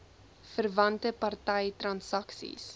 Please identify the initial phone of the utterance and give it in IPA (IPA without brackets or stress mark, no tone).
f